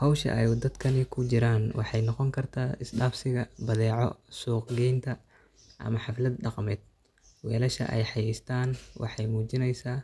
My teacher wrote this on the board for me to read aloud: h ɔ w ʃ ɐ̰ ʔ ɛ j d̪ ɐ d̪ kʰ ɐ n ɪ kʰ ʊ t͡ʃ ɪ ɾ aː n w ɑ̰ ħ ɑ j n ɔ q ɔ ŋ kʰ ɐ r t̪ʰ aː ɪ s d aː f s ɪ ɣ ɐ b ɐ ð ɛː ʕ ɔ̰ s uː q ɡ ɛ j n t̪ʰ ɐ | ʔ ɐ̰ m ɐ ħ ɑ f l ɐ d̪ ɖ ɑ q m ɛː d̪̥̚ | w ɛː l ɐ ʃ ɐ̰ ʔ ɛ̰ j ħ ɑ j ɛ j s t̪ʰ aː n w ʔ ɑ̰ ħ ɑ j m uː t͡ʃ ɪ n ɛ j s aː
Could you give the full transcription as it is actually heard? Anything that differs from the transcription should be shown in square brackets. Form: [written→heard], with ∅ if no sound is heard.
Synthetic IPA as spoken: h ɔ w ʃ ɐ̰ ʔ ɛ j d̪ ɐ d̪ kʰ ɐ n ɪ kʰ ʊ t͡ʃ ɪ ɾ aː n w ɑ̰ ħ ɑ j n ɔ q ɔ ŋ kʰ ɐ r t̪ʰ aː ɪ s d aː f s ɪ ɣ ɐ b ɐ ð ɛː ʕ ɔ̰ s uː q ɡ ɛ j n t̪ʰ ɐ | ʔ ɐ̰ m ɐ ħ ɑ f l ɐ d̪ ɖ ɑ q m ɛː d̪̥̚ | w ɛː l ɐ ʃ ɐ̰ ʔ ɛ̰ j ħ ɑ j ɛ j s t̪ʰ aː n w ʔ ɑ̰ ħ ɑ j m uː t͡ʃ ɪ n ɛ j s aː